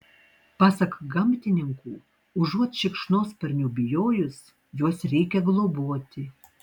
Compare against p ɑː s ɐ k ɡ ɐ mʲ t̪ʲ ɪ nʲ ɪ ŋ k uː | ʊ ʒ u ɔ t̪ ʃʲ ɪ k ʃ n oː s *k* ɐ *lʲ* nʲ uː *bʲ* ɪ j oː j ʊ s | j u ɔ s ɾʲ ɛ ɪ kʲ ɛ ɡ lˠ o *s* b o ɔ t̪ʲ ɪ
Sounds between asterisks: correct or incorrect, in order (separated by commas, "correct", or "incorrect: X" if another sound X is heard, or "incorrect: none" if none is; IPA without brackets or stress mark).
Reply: incorrect: p, incorrect: ɾʲ, correct, incorrect: none